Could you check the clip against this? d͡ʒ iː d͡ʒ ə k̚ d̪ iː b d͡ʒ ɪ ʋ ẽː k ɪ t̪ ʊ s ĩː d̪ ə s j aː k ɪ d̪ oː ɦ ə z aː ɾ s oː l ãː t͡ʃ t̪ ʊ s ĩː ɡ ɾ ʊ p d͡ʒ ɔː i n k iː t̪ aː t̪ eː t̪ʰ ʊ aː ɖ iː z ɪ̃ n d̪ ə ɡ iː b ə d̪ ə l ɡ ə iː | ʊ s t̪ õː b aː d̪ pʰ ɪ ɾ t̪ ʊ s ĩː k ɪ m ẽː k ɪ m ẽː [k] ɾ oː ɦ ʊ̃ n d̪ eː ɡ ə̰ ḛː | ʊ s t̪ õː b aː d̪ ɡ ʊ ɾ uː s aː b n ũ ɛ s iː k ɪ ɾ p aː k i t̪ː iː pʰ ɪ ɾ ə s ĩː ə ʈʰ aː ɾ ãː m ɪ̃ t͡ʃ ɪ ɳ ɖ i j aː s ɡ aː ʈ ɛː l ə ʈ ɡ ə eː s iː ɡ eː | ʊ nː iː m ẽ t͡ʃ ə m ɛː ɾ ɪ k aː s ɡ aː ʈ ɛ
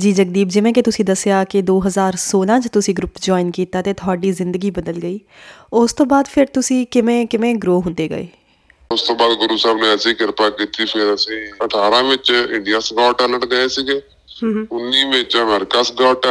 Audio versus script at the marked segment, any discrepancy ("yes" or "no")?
yes